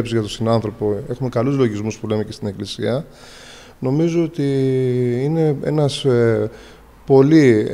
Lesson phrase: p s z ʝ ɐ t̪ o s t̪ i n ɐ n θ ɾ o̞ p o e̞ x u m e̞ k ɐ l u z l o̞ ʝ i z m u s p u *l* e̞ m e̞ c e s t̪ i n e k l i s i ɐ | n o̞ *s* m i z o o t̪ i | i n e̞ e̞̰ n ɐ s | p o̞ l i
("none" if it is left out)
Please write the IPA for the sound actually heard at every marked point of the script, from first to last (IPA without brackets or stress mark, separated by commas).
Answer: l, none